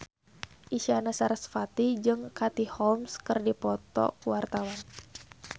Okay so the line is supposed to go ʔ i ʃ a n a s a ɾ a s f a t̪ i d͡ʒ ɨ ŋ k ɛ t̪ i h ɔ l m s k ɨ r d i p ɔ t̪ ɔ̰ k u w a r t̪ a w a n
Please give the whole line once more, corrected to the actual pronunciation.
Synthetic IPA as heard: ʔ i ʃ a n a s a ɾ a s f a t̪ i d͡ʒ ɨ ŋ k a t̪ i h ɔ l m s k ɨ r d i p ɔ t̪ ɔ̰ k u w a r t̪ a w a n